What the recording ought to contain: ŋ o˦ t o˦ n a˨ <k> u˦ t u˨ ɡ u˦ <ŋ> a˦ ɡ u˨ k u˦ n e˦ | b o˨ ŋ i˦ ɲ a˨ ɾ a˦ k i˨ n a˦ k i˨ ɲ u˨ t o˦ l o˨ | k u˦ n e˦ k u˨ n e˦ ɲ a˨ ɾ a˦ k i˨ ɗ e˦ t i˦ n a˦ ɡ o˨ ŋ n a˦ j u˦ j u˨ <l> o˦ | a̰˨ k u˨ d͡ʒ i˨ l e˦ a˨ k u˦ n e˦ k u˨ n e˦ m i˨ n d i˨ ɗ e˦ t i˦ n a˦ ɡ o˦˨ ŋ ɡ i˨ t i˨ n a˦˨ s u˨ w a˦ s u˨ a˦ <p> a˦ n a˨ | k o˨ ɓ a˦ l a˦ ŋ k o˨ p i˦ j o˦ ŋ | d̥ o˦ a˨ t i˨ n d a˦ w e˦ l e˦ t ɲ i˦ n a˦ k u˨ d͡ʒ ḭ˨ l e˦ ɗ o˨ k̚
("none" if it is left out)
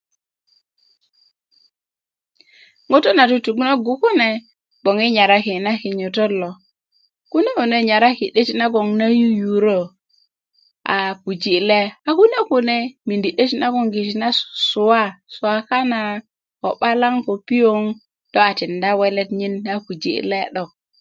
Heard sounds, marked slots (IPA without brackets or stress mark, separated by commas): t, n, ɾ, k